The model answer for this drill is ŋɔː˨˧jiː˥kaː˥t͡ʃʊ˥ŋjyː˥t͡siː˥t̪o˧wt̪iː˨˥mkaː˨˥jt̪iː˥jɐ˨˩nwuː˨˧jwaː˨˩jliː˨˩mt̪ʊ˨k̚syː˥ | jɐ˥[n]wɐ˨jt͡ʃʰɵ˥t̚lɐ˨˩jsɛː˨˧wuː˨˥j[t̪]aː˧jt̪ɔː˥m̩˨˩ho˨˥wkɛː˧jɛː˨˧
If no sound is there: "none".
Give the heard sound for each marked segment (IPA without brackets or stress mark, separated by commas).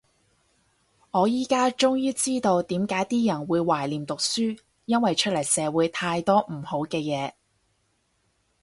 n, t̪ʰ